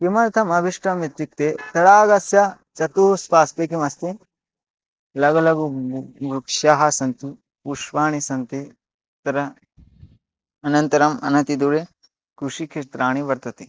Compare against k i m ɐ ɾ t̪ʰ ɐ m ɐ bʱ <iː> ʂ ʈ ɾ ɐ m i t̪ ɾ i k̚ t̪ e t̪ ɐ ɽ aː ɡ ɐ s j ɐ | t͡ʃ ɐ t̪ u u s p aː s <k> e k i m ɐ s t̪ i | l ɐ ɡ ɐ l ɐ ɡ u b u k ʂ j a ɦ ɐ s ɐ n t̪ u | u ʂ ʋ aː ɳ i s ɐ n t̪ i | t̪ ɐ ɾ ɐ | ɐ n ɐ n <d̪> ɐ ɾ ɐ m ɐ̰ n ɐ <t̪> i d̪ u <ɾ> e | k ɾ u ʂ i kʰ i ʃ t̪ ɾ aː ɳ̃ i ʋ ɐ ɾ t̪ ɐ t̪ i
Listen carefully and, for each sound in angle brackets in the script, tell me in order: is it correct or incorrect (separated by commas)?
incorrect, incorrect, incorrect, correct, correct